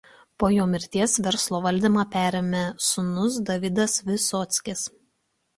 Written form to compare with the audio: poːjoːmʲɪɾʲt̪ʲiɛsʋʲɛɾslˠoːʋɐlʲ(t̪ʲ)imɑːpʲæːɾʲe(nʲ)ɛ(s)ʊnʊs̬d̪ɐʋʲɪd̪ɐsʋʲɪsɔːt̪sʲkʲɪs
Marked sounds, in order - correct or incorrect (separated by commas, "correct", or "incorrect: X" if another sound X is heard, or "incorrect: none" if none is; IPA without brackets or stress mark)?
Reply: incorrect: d̪ʲ, incorrect: mʲ, correct